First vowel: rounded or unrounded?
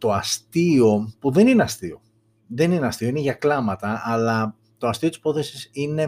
rounded